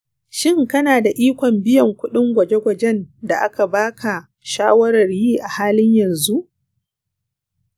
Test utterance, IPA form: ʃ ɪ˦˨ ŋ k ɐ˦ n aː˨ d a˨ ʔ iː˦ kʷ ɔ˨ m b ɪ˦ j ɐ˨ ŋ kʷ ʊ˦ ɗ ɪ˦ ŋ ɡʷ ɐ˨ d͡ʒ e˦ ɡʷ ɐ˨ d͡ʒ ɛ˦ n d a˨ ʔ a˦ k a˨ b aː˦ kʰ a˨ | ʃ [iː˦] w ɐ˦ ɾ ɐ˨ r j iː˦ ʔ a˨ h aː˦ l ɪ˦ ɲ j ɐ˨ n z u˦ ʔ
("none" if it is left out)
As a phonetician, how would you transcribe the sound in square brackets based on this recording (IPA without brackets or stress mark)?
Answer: aː˦